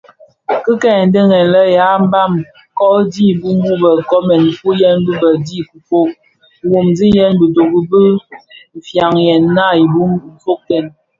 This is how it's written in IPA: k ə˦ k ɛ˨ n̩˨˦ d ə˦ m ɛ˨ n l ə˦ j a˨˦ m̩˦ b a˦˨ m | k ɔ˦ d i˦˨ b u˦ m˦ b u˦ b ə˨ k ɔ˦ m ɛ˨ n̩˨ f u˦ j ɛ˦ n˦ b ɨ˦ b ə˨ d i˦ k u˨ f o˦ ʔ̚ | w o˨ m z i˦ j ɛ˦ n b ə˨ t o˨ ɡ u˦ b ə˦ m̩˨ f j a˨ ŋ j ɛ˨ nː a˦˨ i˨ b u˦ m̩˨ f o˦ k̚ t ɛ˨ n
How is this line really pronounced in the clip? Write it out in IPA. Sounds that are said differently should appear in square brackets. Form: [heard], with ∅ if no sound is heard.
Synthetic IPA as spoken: k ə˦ k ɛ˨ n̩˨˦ d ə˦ [ŋ] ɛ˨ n l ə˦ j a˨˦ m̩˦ b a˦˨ m | k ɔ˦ d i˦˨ b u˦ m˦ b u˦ b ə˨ k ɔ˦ m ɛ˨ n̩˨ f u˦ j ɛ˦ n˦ b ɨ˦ b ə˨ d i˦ k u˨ f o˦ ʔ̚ | w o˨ m z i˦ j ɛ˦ n b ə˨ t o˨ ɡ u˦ b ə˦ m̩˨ f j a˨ ŋ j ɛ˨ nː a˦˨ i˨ b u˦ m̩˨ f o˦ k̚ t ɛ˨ n

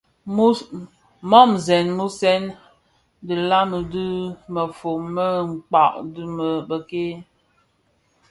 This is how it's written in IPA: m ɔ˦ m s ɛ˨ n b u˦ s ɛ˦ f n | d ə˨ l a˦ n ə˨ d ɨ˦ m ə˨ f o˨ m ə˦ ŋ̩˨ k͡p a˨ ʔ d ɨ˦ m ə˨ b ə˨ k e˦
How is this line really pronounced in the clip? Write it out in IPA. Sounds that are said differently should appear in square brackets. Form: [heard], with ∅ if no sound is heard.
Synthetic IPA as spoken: m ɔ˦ m [z] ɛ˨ n [m] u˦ s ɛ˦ [∅] n | d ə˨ l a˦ [m] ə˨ d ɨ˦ m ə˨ f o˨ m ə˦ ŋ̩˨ k͡p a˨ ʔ d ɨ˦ m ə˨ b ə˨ k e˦

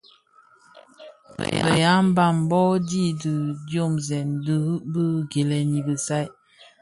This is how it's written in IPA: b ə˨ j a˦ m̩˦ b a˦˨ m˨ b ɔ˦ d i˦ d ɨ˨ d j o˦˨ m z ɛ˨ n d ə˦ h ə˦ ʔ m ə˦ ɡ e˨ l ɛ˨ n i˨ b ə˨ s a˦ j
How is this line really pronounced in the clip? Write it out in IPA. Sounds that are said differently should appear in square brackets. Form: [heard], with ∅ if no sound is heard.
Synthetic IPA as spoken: b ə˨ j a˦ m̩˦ b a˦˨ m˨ b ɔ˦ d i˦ d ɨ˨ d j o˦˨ m z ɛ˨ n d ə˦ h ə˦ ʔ [b] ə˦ ɡ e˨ l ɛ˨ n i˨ b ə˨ s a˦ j

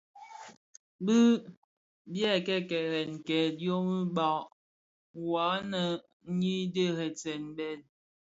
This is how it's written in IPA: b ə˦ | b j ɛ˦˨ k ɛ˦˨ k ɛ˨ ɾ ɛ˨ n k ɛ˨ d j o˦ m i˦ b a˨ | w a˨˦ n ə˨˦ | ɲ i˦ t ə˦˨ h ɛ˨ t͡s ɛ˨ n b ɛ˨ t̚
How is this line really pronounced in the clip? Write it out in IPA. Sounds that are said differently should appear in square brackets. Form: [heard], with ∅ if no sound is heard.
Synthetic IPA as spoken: b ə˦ | b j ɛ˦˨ k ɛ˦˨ k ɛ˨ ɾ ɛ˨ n k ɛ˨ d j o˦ m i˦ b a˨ | w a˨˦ n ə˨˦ | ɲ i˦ [d] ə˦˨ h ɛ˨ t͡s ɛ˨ n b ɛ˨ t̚

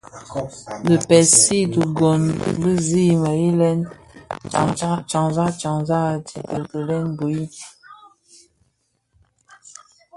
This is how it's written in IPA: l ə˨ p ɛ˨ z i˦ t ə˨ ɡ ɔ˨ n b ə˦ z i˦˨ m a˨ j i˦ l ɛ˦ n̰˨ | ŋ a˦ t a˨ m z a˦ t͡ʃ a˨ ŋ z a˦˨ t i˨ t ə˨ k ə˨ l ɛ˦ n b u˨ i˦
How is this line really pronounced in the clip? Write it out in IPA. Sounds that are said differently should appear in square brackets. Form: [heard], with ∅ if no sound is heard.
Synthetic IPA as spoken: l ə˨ p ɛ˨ [s] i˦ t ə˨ ɡ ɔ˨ n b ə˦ z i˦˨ m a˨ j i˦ l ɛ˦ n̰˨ | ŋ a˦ [t͡ʃ] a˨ [ŋ] z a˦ t͡ʃ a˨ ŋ z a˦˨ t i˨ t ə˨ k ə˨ l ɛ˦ n b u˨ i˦

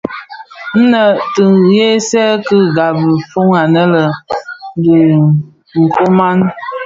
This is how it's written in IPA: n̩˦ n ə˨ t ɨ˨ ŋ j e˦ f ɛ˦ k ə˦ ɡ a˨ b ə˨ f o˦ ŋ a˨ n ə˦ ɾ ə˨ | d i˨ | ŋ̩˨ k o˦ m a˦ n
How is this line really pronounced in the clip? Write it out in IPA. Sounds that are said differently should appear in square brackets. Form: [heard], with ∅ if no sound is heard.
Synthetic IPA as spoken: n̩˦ n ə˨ t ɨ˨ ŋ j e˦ [s] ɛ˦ k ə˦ ɡ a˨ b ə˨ f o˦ ŋ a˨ n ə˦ [l] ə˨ | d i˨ | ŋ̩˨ k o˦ m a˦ n

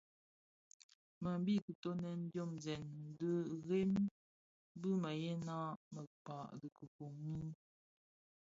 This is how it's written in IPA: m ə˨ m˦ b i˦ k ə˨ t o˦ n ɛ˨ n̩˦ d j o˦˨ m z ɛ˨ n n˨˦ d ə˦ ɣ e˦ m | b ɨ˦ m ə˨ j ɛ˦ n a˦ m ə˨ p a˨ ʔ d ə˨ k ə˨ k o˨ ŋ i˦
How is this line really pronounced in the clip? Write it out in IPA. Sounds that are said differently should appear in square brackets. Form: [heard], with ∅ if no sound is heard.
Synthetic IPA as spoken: m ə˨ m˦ b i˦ k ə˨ t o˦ n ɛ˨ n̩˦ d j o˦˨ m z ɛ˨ n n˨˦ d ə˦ ɣ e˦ m | b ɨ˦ m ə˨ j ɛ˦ n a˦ m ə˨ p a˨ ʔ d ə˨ k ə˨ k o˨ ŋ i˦

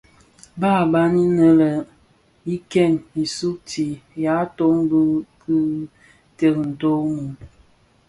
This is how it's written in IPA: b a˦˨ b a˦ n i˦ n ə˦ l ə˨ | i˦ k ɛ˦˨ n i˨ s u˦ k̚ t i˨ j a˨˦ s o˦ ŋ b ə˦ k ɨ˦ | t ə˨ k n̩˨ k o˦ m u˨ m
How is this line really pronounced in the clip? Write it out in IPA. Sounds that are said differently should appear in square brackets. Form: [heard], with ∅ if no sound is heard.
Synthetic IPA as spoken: b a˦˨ b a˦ n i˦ n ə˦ l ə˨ | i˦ k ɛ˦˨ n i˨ s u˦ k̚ t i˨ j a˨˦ [t] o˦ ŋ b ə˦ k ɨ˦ | t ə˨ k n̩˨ [t] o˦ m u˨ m

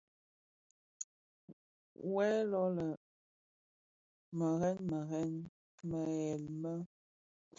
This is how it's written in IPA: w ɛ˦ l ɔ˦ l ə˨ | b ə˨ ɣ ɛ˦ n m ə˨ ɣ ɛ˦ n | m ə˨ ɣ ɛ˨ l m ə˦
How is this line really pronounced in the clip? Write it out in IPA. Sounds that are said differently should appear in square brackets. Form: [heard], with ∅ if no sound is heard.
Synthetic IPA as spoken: w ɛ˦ l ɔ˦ l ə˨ | [m] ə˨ ɣ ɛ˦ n m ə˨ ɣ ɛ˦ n | m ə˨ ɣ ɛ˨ l m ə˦

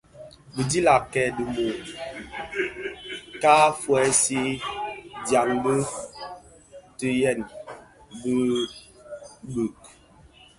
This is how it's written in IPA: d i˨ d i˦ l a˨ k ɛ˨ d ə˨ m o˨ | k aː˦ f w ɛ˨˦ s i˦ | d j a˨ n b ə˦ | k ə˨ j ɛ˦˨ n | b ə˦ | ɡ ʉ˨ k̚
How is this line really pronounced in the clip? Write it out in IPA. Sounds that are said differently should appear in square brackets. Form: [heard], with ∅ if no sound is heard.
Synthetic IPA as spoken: [b] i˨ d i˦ l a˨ k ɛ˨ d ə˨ m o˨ | k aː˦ f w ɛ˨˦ s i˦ | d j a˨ [ŋ] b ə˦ | [t] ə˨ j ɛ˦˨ n | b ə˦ | [b] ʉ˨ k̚

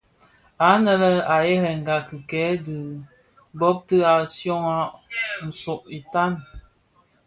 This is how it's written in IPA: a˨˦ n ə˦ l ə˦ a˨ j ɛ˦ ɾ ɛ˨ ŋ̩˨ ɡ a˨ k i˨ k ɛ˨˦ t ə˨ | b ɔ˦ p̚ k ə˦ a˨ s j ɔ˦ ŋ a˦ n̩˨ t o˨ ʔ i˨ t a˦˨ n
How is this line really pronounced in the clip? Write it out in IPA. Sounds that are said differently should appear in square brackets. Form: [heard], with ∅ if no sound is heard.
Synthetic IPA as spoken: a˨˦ n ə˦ l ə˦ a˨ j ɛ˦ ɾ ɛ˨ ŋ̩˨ ɡ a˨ k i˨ k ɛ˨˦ [d] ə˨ | b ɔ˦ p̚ [t] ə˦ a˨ s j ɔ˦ ŋ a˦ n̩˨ [s] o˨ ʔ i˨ t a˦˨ n

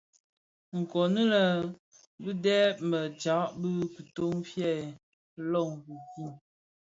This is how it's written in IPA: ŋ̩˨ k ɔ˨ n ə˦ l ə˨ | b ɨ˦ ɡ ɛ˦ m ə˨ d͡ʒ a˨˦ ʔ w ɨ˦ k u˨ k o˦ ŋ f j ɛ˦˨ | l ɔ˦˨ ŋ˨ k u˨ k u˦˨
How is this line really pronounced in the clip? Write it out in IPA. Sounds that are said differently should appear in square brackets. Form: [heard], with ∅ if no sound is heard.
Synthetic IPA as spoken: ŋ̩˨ k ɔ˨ n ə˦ l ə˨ | b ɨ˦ [d] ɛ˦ m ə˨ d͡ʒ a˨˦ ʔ [b] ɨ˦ k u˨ [t] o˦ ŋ f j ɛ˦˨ | l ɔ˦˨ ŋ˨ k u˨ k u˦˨

